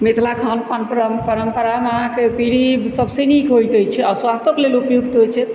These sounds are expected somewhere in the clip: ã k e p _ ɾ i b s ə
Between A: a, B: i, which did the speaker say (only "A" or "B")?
B